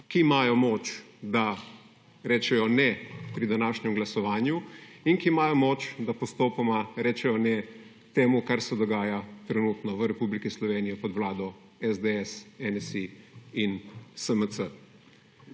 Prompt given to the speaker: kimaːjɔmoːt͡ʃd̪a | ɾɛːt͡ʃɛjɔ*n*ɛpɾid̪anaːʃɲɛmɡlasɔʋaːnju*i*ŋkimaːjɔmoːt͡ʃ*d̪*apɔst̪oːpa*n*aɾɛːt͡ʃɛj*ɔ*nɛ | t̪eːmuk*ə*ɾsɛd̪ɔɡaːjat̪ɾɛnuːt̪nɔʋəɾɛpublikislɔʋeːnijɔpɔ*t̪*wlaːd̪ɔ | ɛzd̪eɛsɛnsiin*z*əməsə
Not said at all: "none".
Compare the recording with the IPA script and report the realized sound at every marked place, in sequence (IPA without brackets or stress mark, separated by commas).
n, i, d̪, m, ɔ, a, d̪, s